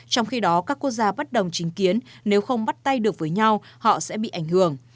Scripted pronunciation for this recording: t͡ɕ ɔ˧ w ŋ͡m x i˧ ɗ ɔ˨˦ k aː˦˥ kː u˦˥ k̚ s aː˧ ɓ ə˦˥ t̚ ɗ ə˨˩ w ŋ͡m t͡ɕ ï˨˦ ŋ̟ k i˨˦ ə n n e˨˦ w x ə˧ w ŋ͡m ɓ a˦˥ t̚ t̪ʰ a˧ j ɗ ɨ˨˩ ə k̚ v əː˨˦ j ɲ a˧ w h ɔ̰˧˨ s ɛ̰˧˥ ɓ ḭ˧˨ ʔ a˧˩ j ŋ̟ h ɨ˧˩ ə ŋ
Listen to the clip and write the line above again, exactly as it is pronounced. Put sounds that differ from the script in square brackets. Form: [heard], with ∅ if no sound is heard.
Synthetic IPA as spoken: t͡ɕ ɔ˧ w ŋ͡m x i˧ ɗ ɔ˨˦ k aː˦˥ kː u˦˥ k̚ [z] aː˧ ɓ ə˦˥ t̚ ɗ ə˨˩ w ŋ͡m t͡ɕ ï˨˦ ŋ̟ k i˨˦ ə n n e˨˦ w x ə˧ w ŋ͡m ɓ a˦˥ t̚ [t̪] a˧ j ɗ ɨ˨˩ ə k̚ v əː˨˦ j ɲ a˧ w h ɔ̰˧˨ s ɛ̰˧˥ ɓ ḭ˧˨ ʔ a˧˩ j ŋ̟ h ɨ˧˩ ə ŋ